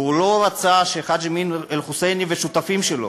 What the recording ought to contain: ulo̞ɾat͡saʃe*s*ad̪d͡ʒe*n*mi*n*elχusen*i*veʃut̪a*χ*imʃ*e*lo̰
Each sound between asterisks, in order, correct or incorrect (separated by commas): incorrect, incorrect, correct, correct, incorrect, correct